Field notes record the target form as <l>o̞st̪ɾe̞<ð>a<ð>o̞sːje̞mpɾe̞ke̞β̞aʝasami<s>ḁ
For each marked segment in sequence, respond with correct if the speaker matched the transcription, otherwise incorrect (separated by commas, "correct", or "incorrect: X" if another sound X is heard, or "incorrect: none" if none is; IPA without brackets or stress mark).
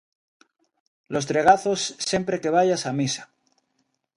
correct, incorrect: ɣ, incorrect: θ, correct